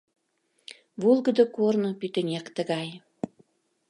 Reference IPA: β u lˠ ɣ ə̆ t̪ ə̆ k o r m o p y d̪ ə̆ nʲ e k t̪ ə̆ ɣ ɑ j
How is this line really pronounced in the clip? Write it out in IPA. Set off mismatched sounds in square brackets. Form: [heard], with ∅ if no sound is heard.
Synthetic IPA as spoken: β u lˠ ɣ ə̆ [d̪] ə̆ k o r [n] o p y [t̪] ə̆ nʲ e k t̪ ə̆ ɣ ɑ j